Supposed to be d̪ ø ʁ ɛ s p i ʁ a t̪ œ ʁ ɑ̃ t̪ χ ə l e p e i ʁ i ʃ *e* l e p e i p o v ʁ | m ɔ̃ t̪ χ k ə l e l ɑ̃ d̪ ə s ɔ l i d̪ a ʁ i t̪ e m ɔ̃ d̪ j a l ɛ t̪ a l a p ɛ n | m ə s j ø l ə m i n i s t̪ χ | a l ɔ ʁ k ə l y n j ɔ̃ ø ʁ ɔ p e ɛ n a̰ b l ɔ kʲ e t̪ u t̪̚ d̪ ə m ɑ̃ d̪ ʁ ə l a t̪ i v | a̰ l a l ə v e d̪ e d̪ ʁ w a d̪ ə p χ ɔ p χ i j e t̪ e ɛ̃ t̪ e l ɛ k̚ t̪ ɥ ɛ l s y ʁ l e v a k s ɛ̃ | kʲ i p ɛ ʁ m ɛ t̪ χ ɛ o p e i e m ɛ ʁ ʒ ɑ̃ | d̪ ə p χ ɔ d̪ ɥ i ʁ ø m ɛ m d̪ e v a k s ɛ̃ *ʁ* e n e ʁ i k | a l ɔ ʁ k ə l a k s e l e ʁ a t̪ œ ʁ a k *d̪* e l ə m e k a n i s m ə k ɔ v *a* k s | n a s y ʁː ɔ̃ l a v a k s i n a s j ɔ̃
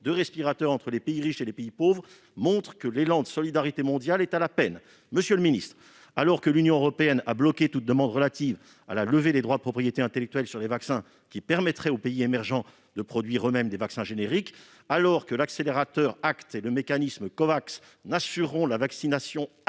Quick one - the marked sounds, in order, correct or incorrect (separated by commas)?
correct, incorrect, incorrect, correct